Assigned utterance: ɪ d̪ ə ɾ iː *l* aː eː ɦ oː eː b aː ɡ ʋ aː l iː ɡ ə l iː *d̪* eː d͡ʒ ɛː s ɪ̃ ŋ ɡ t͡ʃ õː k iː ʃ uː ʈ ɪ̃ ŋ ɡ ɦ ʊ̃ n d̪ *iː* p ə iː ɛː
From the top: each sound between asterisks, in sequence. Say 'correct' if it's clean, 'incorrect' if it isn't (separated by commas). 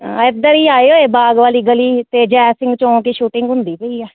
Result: incorrect, incorrect, correct